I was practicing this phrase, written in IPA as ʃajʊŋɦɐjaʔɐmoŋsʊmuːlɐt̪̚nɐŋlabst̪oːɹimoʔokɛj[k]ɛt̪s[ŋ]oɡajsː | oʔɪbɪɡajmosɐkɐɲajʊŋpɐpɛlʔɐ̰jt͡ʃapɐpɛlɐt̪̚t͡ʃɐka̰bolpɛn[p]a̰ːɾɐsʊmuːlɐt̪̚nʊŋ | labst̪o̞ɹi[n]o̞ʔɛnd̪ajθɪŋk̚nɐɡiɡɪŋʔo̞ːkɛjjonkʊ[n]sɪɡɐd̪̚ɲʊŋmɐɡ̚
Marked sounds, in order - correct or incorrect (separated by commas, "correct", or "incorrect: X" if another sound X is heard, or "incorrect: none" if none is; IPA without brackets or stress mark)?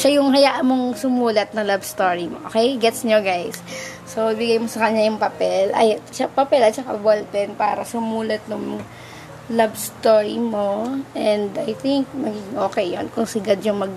incorrect: ɡ, incorrect: ɲ, correct, incorrect: m, incorrect: ŋ